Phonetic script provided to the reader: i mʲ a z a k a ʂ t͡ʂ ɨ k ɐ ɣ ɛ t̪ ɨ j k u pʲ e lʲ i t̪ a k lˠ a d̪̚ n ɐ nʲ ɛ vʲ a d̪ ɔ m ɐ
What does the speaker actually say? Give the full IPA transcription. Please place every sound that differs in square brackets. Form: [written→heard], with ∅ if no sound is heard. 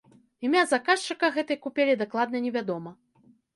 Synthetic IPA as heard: i mʲ a z a k a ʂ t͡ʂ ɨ k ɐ ɣ ɛ t̪ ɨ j k u pʲ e lʲ i [t̪→d̪] a k lˠ a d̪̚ n ɐ nʲ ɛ vʲ a d̪ ɔ m ɐ